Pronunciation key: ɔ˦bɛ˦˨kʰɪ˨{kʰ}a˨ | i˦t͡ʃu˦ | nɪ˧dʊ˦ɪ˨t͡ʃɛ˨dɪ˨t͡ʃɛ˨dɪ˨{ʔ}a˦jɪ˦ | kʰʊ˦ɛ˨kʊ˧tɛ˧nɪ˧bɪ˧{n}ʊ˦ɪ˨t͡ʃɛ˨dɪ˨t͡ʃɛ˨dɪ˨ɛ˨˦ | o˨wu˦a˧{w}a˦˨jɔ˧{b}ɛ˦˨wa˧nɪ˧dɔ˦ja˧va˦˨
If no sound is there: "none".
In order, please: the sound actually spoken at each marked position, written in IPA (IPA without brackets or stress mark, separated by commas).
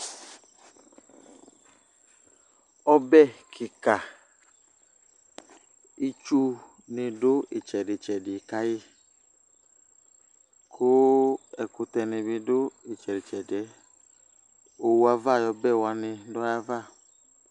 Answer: k, k, d, v, b